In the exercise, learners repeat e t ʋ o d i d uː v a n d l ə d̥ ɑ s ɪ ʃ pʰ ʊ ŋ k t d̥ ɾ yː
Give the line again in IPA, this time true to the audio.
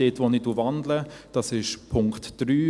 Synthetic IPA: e t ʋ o n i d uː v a n d l ə d̥ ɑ s ɪ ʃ pʰ ʊ ŋ k t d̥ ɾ yː